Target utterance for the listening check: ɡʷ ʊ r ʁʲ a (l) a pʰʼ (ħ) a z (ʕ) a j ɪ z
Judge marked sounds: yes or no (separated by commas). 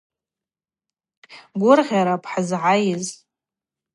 no, yes, yes